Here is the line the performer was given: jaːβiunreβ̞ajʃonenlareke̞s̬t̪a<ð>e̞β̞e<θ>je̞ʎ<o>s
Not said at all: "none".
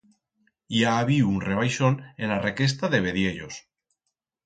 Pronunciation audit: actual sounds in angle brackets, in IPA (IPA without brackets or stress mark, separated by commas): ð, ð, o